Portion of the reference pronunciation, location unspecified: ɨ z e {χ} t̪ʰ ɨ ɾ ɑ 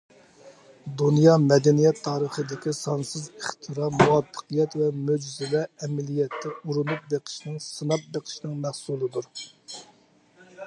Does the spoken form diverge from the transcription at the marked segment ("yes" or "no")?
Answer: no